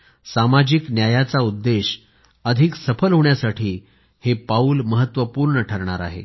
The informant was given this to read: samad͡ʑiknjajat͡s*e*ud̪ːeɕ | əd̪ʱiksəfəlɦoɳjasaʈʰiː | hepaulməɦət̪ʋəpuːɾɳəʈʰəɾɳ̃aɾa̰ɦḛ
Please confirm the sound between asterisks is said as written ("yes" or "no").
no